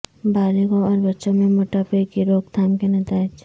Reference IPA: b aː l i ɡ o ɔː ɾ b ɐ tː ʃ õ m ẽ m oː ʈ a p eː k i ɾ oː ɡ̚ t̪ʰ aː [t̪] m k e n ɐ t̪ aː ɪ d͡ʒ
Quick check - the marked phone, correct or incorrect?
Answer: incorrect